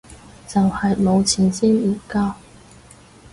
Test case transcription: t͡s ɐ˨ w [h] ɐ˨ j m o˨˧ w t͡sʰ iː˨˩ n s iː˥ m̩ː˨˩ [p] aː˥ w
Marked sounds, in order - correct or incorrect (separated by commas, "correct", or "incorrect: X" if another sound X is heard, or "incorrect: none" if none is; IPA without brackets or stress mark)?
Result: correct, incorrect: k